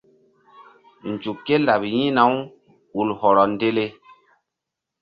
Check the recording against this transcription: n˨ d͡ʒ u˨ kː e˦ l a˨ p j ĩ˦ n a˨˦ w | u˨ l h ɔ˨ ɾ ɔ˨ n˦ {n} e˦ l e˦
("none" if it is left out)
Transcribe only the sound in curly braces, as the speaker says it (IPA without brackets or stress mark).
d